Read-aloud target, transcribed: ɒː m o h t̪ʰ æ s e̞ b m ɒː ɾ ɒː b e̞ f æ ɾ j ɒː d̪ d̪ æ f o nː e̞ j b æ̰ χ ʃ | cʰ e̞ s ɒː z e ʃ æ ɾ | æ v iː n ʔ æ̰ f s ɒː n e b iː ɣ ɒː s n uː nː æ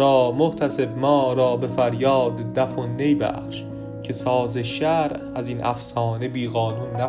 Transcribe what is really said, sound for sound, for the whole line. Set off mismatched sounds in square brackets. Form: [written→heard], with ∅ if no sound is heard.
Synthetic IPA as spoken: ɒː m o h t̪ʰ æ s e̞ b m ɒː ɾ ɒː b e̞ f æ ɾ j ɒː d̪ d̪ æ f o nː e̞ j b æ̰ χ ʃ | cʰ e̞ s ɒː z e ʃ æ ɾ | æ [v→z] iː n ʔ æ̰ f s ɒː n e b iː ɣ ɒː [s→∅] n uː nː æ